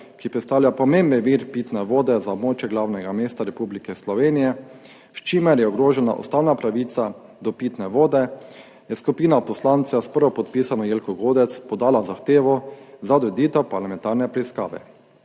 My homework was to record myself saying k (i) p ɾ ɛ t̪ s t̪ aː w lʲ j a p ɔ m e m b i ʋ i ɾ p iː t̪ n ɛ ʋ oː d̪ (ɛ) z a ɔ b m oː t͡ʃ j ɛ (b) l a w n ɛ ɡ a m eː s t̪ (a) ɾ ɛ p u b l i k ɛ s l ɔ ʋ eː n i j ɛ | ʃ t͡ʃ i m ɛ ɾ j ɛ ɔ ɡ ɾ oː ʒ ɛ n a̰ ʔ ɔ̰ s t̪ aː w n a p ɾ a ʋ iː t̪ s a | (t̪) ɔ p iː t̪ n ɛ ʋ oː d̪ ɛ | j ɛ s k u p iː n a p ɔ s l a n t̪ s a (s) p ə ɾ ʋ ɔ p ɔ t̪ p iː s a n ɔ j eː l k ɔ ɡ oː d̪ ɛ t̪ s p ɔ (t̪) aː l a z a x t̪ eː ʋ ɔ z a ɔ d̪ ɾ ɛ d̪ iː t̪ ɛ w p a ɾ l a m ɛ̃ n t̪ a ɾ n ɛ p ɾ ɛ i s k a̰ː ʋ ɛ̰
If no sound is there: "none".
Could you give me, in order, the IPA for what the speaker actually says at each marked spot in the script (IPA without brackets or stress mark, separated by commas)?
i, ɛ, ɡ, a, d̪, s, d̪